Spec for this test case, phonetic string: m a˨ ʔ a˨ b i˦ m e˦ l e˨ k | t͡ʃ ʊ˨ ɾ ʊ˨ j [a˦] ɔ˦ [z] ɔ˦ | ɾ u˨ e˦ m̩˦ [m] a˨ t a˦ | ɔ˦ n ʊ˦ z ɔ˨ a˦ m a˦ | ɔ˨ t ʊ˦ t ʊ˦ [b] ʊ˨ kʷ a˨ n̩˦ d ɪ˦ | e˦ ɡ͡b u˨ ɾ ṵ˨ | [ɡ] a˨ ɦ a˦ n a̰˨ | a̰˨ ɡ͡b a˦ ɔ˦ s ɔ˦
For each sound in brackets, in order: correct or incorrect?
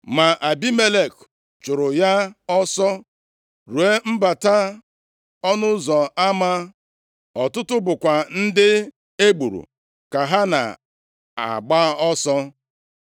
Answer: correct, incorrect: s, incorrect: b, correct, incorrect: k

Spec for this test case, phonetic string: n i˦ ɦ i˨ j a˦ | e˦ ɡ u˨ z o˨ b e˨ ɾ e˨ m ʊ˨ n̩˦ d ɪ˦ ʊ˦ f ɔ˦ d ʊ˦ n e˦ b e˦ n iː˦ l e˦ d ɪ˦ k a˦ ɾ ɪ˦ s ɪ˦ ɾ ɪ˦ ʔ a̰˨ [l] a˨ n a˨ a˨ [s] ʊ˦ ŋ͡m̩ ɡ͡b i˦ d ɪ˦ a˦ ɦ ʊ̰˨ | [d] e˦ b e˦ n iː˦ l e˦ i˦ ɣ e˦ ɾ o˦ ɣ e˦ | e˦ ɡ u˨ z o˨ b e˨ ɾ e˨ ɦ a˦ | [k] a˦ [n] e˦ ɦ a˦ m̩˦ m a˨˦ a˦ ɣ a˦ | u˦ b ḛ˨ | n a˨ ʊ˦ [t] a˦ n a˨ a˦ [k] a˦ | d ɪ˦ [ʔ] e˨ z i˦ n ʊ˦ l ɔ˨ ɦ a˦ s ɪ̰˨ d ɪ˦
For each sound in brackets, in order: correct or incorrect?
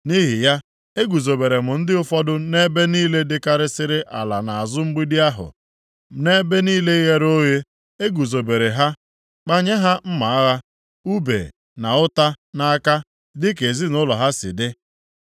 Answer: correct, incorrect: z, incorrect: n, incorrect: k͡p, incorrect: ɲ, correct, correct, incorrect: k

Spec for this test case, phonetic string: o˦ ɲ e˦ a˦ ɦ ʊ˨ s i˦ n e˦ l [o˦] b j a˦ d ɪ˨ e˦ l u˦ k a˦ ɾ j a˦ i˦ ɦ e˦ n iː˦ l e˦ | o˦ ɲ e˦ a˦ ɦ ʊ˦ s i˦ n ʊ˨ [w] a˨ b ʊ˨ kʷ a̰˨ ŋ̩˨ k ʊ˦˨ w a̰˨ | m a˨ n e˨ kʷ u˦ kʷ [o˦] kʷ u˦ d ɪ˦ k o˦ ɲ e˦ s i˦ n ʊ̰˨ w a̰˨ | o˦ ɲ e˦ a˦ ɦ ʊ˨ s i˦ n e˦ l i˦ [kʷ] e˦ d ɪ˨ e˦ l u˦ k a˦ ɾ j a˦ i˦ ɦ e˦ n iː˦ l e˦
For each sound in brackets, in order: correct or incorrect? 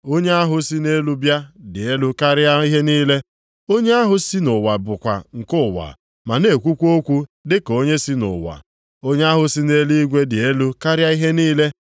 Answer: incorrect: u˦, correct, correct, incorrect: ɡʷ

